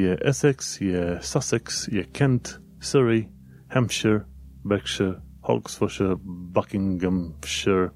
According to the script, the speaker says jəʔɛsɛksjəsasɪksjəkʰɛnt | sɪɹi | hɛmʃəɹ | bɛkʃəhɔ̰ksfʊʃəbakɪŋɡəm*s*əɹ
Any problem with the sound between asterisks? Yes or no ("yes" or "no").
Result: yes